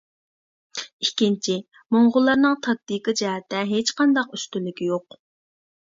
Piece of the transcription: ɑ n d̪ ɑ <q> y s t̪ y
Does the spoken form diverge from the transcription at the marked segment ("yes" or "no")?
no